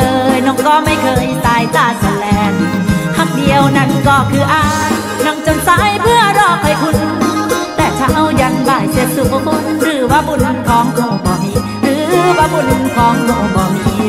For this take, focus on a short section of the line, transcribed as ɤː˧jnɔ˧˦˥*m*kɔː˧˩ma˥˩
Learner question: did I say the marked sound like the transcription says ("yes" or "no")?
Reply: no